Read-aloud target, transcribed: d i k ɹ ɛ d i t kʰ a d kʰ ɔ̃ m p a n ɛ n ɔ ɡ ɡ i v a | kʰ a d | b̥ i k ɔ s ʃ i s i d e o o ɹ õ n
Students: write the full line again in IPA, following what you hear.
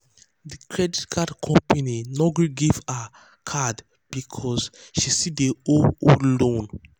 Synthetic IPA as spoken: d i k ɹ ɛ d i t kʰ a d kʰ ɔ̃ m p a n i n ɔ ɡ ɡ i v a | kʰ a d | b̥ i kʰ ɔ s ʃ i s i d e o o l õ n

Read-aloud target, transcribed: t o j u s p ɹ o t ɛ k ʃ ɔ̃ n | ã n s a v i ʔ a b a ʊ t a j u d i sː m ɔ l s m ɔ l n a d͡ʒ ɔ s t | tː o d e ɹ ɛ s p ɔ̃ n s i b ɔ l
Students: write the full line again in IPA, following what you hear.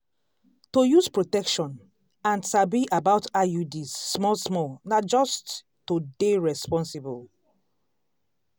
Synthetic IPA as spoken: t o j u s p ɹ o t ɛ k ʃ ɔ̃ n | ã n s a b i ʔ a b a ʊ t a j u d i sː m ɔ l s m ɔ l n a d͡ʒ ɔ s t | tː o d e ɹ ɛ s p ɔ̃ n s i b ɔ l

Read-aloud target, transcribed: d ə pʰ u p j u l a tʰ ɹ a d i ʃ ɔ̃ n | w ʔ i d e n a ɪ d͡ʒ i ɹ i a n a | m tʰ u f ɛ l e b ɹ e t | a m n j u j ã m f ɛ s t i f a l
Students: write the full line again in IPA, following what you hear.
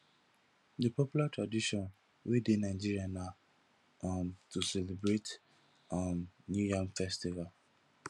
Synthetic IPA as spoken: d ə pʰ ɔ p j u l a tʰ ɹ a d i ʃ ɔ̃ n | w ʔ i d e n a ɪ d͡ʒ i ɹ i a n a | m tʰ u s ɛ l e b ɹ e t | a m n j u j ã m f ɛ s t i v a l

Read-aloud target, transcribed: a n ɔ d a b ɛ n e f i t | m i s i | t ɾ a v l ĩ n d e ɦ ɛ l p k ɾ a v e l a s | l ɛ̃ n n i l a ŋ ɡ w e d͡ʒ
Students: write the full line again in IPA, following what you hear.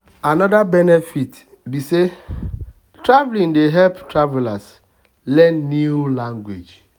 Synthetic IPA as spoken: a n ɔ d a b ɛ n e f i t | b i s e | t ɾ a v l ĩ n d e ɦ ɛ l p t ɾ a v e l a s | l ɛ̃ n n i l a ŋ ɡ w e d͡ʒ

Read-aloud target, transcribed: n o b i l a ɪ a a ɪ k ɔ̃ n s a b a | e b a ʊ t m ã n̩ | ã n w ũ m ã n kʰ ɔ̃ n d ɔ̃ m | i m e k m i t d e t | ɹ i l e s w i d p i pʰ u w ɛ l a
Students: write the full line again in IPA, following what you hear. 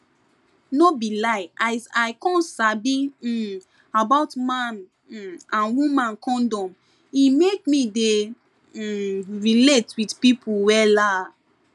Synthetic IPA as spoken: n o b i l a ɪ a a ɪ k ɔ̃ n s a b i | a b a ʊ t m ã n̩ | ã n w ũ m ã n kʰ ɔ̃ n d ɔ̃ m | i m e k m i d e | ɹ i l e t w i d p i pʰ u w ɛ l a

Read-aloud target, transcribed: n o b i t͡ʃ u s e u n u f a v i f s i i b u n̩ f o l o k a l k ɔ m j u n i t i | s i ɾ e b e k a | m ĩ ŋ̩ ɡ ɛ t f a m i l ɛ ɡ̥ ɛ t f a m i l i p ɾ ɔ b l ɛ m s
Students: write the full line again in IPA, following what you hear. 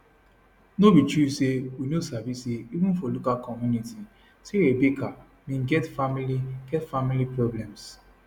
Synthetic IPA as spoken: n o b i t͡ʃ u s e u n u s a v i s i i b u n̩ f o l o k a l k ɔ m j u n i t i | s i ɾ e b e k a | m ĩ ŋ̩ ɡ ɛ t f a m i l i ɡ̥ ɛ t f a m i l i p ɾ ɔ b l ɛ m s

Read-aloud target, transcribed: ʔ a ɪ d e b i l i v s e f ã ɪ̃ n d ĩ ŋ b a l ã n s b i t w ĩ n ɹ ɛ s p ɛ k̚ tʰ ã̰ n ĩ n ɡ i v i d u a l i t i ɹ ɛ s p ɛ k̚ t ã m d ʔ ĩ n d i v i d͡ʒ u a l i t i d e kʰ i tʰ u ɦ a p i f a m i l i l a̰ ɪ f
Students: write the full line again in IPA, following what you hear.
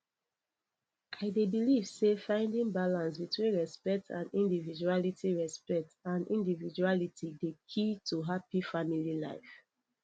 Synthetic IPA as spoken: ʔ a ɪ d e b i l i v s e f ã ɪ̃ n d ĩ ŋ b a l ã n s b i t w ĩ n ɹ ɛ s p ɛ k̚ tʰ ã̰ n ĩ n d i v i d͡ʒ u a l i t i ɹ ɛ s p ɛ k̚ t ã n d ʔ ĩ n d i v i d͡ʒ u a l i t i d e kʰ i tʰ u ɦ a p i f a m i l i l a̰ ɪ f

